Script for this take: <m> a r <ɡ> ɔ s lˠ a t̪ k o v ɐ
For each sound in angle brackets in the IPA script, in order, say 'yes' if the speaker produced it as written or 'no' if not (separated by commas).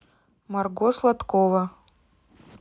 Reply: yes, yes